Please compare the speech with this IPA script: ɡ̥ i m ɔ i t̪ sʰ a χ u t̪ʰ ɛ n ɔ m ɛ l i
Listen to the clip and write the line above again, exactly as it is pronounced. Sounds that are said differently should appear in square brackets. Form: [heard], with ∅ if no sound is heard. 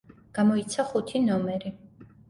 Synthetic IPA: ɡ̥ [a] m ɔ i t̪ sʰ a χ u t̪ʰ [i] n ɔ m ɛ [ɾ] i

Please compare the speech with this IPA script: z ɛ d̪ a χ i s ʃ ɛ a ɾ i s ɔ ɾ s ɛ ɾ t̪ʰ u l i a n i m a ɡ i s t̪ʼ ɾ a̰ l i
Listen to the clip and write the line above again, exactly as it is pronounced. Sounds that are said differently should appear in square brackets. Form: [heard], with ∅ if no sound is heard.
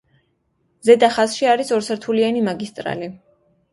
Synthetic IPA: z ɛ d̪ a χ [a] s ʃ [i] a ɾ i s ɔ ɾ s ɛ ɾ t̪ʰ u l i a n i m a ɡ i s t̪ʼ ɾ a̰ l i

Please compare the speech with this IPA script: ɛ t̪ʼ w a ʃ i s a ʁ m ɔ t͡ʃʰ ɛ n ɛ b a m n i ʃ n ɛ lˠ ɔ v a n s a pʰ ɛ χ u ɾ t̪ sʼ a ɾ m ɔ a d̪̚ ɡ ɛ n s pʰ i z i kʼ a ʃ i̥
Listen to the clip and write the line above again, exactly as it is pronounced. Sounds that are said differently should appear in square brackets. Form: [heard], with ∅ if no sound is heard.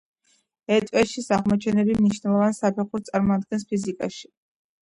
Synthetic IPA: ɛ t̪ʼ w [ɛ] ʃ i s a ʁ m ɔ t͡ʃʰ ɛ n ɛ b [i] m n i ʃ n ɛ lˠ ɔ v a n s a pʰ ɛ χ u ɾ t̪ sʼ a ɾ m ɔ a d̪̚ ɡ ɛ n s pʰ i z i kʼ a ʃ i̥

